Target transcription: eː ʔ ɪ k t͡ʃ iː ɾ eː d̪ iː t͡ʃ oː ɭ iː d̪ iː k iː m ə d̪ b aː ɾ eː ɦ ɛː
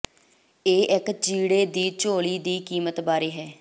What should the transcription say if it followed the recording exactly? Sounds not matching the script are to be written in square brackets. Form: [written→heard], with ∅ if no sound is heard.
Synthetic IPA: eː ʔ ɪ k t͡ʃ iː [ɾ→ɽ] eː d̪ iː t͡ʃ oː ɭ iː d̪ iː k iː m ə [d̪→t̪] b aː ɾ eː ɦ ɛː